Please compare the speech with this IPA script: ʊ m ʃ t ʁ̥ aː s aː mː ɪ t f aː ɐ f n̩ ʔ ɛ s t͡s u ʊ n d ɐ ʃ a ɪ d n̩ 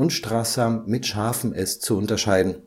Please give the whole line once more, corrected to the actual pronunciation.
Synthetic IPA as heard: ʊ n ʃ t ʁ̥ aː s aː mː ɪ t ʃ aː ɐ f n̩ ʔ ɛ s t͡s u ʊ n t ɐ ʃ a ɪ d n̩